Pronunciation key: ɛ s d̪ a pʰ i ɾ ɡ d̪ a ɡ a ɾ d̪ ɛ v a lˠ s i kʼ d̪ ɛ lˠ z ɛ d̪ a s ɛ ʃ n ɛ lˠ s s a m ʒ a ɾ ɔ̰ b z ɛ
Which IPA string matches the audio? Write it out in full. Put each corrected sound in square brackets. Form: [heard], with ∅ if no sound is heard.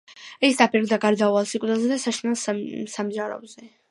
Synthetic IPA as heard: ɛ s d̪ a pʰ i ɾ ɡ d̪ a ɡ a ɾ d̪ [a] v a lˠ s i kʼ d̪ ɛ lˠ z ɛ d̪ a s [a] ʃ n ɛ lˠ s s a m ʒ a ɾ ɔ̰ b z ɛ